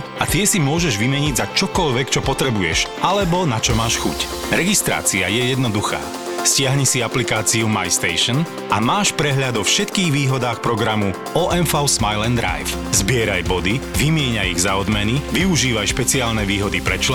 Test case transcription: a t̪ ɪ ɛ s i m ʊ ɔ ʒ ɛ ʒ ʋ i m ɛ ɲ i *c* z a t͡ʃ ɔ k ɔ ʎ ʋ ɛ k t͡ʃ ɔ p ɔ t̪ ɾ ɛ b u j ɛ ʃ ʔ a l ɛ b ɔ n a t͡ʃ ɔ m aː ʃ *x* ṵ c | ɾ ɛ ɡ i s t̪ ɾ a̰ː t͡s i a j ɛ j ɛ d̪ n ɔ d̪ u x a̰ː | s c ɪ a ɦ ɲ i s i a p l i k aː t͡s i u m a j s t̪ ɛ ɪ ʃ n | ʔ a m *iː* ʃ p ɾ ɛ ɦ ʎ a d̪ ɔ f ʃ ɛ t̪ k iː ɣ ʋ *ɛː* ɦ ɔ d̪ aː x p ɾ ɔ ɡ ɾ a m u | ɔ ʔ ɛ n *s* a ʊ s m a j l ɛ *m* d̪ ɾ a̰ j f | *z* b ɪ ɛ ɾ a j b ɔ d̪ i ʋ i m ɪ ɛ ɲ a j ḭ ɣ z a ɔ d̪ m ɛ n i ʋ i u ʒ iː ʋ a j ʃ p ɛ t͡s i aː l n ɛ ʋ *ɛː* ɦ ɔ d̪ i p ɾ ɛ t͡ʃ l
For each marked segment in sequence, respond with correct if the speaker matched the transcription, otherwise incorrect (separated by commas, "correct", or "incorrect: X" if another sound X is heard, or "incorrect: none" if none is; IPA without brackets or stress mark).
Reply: incorrect: ɟ, correct, incorrect: aː, incorrect: iː, incorrect: f, incorrect: n, correct, incorrect: iː